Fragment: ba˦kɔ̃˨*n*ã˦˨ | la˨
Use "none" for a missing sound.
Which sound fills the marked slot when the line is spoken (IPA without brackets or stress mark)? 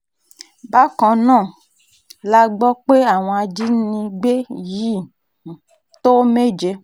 n